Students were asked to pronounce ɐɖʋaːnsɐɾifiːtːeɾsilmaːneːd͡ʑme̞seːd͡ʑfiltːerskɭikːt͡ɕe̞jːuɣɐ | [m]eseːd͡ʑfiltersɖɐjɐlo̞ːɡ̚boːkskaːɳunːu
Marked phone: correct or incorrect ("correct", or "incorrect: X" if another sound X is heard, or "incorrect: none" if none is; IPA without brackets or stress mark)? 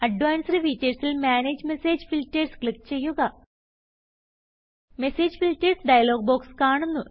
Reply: correct